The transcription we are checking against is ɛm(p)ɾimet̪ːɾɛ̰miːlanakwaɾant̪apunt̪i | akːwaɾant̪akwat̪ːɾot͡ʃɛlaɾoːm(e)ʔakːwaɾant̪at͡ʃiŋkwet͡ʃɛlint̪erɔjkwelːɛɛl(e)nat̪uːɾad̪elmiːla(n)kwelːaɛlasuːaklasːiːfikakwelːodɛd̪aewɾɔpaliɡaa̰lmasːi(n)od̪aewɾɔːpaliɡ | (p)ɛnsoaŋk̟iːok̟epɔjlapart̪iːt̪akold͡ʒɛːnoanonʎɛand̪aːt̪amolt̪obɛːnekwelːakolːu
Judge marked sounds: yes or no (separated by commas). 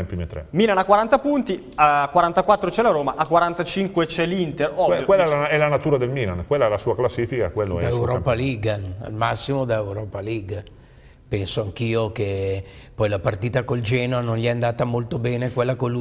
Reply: yes, no, no, yes, no, yes